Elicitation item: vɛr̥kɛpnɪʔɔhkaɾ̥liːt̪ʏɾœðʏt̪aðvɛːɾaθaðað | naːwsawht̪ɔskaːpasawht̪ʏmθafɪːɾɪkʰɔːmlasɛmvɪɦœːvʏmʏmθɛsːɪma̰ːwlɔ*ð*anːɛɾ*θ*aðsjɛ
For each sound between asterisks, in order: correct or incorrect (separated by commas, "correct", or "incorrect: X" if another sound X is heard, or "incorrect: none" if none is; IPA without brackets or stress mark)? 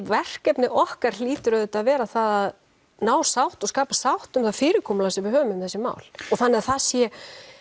incorrect: θ, correct